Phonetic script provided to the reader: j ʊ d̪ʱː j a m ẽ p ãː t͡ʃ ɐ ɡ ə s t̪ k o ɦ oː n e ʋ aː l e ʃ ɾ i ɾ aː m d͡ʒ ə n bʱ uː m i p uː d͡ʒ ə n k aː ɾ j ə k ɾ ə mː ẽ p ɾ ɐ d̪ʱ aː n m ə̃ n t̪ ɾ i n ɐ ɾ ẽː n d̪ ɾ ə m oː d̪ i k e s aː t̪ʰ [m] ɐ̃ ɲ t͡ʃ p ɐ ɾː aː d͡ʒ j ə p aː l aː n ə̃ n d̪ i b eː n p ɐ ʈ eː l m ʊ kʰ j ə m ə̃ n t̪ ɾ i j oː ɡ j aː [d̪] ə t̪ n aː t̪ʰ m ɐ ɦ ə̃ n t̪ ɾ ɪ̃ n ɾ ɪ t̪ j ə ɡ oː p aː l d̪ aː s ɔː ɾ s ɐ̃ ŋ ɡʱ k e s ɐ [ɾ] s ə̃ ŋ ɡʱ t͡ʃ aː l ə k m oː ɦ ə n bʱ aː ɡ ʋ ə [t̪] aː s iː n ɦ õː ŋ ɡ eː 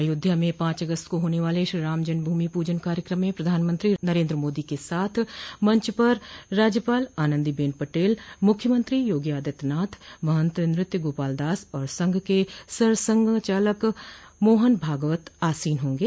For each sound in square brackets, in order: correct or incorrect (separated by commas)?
correct, correct, correct, correct